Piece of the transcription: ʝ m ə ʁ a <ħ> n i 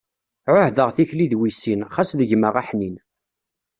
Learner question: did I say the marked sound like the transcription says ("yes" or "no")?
yes